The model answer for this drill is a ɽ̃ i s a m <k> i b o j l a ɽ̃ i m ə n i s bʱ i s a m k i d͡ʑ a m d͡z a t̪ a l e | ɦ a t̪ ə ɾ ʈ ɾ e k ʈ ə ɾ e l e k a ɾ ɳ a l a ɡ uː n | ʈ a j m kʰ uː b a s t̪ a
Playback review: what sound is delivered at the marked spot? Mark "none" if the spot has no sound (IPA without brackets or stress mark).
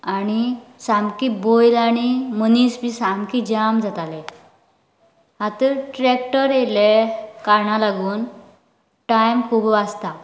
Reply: k